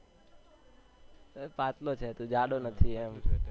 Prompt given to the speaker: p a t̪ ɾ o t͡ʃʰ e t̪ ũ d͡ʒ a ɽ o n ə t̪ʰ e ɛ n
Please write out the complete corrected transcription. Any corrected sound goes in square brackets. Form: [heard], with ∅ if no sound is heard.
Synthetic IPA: p a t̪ [l] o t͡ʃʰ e t̪ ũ d͡ʒ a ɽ o n ə t̪ʰ [i] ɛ [m]